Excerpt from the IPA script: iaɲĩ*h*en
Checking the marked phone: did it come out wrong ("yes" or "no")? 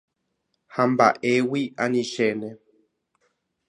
yes